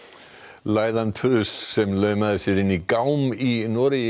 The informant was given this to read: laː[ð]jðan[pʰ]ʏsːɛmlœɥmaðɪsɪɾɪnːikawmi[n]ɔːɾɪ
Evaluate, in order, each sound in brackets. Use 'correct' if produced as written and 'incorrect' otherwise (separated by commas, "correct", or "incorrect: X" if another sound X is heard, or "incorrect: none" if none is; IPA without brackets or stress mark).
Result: incorrect: none, correct, correct